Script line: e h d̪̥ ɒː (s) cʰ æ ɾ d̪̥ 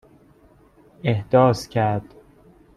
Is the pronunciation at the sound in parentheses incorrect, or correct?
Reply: correct